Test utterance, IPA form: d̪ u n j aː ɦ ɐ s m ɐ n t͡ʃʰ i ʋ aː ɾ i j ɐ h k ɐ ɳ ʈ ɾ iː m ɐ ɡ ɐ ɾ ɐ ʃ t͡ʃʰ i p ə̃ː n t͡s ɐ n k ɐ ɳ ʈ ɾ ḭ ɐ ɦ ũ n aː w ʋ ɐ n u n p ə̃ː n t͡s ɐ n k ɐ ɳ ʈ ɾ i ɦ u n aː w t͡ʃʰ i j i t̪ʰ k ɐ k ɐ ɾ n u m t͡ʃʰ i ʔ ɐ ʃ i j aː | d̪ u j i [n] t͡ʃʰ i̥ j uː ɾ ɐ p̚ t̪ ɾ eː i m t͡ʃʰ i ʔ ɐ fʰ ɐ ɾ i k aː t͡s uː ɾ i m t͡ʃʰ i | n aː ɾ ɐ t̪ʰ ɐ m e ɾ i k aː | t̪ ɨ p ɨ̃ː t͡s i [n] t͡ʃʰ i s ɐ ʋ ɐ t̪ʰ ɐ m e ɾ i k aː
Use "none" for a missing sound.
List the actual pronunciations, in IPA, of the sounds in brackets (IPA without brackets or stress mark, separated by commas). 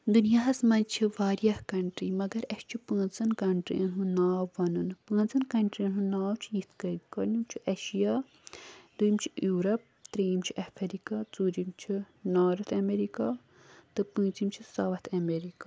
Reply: m, m